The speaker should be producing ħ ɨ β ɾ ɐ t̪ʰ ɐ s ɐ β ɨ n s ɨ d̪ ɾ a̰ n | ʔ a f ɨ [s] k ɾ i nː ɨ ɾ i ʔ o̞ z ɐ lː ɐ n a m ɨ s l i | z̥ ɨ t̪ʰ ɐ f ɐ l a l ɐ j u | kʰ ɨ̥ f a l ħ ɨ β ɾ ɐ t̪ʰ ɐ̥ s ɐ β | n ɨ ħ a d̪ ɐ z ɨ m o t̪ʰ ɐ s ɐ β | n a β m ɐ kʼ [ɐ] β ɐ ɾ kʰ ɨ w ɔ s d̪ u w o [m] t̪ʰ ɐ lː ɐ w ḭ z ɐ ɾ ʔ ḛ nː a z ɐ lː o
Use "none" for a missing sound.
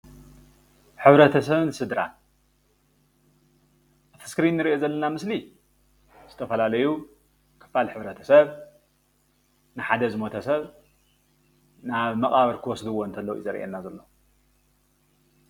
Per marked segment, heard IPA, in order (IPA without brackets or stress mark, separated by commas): s, a, n